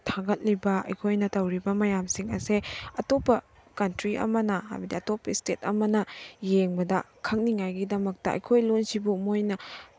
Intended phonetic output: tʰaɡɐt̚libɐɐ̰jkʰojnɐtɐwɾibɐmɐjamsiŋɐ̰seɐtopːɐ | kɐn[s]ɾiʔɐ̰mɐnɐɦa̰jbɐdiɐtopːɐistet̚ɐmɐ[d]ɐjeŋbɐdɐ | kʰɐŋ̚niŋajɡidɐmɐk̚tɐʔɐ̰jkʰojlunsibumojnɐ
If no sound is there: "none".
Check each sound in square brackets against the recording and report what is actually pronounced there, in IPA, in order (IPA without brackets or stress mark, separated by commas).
t, n